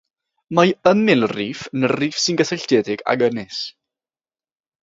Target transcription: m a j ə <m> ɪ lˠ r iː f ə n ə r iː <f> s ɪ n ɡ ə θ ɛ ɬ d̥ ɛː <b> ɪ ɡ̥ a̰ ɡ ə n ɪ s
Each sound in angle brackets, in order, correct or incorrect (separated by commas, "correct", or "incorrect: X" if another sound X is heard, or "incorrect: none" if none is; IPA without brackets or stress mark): correct, correct, incorrect: d